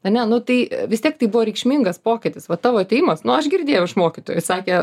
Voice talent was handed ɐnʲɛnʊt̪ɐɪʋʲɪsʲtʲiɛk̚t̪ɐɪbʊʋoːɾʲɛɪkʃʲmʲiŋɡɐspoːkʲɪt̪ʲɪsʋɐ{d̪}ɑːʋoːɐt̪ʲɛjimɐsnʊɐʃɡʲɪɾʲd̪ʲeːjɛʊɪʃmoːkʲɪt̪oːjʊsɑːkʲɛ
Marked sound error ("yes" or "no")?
yes